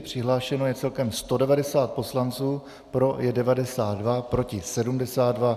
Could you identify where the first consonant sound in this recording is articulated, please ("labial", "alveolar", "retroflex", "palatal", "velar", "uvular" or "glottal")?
labial